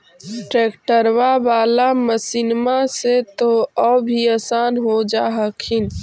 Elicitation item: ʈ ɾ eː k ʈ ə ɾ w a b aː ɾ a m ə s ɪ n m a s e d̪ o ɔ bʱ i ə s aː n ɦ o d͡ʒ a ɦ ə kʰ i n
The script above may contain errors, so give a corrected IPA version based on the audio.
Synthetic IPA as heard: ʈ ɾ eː k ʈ ə ɾ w a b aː l a m ə s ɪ n m a s e t̪ o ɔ bʱ i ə s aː n ɦ o d͡ʒ a ɦ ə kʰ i n